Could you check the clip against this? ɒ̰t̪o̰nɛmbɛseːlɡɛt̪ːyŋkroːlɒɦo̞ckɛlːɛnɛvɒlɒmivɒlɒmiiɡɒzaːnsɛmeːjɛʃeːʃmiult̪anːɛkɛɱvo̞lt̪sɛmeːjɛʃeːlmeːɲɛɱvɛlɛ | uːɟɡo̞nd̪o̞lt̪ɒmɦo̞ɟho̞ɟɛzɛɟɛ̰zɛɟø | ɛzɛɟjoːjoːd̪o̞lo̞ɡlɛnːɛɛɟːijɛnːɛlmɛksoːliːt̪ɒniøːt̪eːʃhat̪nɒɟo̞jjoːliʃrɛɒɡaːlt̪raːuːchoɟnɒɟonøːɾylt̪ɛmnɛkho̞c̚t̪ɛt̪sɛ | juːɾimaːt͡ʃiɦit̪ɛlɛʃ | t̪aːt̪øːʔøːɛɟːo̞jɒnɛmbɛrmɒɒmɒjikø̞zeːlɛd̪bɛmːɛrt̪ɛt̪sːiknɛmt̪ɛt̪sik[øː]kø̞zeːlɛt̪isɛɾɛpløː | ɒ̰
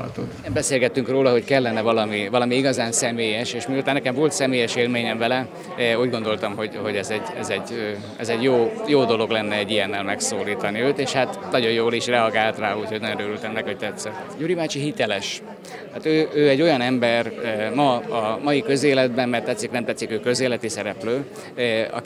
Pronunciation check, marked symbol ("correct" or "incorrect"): correct